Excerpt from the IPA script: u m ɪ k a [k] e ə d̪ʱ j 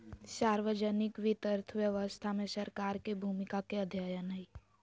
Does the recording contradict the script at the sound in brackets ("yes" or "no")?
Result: no